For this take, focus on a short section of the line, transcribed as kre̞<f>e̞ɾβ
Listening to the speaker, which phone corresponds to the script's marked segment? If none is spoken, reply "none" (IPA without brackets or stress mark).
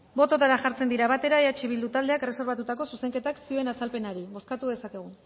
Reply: s